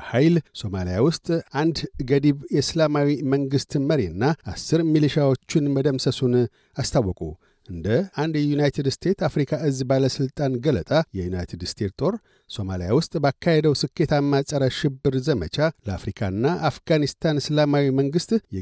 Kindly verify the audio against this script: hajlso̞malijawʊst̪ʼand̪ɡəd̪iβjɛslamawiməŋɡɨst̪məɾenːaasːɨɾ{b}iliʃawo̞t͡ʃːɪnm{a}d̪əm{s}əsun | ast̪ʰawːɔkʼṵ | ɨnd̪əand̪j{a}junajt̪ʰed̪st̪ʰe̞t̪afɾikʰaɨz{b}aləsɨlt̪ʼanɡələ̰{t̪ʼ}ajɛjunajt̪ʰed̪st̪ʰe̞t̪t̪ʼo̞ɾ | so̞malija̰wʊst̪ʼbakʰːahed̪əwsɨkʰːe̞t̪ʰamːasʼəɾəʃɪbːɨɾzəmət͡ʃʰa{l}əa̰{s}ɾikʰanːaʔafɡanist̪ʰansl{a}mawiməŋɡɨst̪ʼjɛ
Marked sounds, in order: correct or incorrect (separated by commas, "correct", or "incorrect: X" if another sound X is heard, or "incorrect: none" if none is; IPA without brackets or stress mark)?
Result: incorrect: m, incorrect: ə, correct, incorrect: ɛ, correct, correct, correct, incorrect: f, correct